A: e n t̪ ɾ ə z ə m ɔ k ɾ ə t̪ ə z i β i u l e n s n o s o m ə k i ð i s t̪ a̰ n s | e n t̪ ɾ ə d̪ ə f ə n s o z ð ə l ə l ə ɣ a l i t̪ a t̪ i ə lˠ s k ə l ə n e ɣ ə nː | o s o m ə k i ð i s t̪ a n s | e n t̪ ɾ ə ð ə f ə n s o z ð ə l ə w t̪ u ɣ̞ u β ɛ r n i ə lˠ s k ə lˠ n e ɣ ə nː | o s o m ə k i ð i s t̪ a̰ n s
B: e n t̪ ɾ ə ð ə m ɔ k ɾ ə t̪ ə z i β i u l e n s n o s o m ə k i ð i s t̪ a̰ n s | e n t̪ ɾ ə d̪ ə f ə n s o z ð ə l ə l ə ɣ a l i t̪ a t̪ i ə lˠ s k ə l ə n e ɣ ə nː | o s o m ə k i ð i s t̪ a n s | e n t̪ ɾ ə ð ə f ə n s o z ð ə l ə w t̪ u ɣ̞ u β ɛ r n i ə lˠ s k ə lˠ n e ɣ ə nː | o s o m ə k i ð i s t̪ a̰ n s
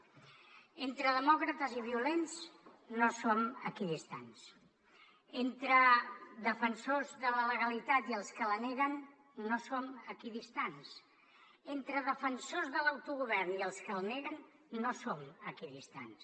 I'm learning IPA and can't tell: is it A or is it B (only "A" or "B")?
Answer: B